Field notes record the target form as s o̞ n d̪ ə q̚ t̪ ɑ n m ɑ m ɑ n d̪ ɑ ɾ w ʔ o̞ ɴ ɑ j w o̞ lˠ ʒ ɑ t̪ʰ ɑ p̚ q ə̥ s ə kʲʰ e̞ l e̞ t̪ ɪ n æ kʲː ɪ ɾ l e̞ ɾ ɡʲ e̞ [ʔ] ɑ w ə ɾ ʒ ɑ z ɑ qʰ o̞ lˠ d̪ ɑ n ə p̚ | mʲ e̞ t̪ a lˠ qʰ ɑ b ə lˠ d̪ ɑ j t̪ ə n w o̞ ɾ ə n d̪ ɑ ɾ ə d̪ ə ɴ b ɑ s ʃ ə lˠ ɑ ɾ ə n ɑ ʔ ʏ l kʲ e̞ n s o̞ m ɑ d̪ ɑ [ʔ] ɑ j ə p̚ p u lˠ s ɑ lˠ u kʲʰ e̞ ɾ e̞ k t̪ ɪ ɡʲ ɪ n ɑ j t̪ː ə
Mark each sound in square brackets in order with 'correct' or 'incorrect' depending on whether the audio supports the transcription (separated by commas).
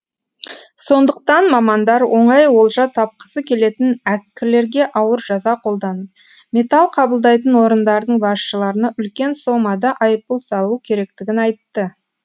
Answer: correct, correct